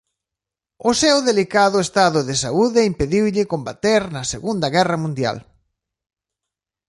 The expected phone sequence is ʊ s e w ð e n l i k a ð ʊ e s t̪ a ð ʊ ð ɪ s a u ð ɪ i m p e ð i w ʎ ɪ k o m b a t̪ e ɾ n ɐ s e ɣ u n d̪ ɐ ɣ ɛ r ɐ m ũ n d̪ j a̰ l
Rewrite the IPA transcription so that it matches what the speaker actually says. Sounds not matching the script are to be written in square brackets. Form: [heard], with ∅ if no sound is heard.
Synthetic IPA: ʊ s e w ð e [∅] l i k a ð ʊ e s t̪ a ð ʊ ð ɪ s a u ð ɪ i m p e ð i w ʎ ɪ k o m b a t̪ e ɾ n ɐ s e ɣ u n d̪ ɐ ɣ ɛ r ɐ m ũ n d̪ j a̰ l